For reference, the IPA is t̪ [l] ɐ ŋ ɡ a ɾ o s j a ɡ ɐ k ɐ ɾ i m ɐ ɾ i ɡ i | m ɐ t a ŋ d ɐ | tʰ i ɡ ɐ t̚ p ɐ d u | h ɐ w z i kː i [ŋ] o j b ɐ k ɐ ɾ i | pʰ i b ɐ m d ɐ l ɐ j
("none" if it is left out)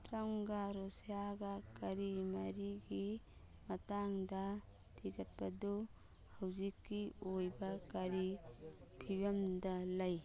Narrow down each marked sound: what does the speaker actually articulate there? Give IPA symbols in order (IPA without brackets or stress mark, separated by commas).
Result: ɾ, none